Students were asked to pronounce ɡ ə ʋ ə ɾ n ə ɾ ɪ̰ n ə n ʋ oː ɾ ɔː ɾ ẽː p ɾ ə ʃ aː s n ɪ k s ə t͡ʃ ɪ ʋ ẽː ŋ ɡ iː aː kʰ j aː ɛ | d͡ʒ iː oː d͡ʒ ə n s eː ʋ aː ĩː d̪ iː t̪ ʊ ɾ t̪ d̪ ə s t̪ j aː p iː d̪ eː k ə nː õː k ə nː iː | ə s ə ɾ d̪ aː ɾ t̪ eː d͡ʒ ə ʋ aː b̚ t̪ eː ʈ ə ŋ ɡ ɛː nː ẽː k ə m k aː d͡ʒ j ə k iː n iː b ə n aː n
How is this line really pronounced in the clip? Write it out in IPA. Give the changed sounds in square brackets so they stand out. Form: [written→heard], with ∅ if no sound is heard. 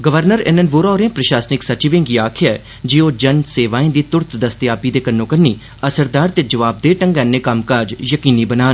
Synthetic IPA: ɡ ə ʋ ə ɾ n ə ɾ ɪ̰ n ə n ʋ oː ɾ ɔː ɾ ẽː p ɾ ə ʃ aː s n ɪ k s ə t͡ʃ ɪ ʋ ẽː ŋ ɡ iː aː kʰ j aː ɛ | d͡ʒ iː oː d͡ʒ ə n s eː ʋ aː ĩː d̪ iː t̪ ʊ ɾ t̪ d̪ ə s t̪ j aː p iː d̪ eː k ə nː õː k ə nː iː | ə s ə ɾ d̪ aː ɾ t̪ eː d͡ʒ ə ʋ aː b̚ [t̪→d̪] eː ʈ ə ŋ ɡ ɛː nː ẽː k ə m k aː d͡ʒ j ə k iː n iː b ə n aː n